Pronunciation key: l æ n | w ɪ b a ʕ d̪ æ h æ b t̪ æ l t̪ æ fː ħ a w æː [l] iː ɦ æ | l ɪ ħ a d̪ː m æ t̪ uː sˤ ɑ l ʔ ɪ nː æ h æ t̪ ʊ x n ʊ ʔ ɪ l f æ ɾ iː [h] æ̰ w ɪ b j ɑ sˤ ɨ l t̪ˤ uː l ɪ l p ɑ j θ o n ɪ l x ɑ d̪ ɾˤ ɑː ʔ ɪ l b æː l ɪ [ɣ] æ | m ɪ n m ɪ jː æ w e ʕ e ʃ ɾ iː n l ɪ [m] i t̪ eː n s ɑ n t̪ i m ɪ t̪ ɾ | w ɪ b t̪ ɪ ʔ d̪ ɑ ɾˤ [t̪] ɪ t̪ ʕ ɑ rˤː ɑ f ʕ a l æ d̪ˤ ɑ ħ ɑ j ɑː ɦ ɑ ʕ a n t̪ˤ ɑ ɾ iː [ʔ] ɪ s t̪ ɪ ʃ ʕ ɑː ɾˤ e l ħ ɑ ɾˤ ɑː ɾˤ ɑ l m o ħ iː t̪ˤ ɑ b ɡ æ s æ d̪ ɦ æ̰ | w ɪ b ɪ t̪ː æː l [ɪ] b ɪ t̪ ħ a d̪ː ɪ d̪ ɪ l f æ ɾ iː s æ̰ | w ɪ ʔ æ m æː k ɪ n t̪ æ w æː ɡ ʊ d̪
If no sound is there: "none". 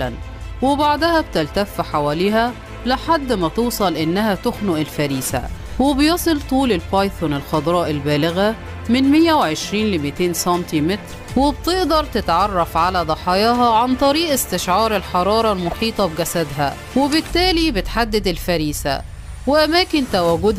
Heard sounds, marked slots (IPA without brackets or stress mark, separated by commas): l, s, ɣ, m, t̪, ʔ, i